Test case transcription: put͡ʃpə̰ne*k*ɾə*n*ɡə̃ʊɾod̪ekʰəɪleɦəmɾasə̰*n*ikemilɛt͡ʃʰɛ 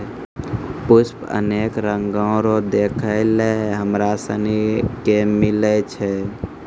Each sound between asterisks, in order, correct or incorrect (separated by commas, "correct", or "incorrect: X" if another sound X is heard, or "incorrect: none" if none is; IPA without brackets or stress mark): correct, incorrect: ŋ, correct